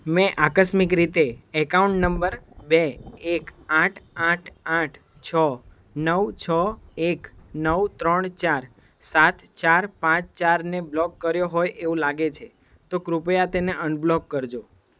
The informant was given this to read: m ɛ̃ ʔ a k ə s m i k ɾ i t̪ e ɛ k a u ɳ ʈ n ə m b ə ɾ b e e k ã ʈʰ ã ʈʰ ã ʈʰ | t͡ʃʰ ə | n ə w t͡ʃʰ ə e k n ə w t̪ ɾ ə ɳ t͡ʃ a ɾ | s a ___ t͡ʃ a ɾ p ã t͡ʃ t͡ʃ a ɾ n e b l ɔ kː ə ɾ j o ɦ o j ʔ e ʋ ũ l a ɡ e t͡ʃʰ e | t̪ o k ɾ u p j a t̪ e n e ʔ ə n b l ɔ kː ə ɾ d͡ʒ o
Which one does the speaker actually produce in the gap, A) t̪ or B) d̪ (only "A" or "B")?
A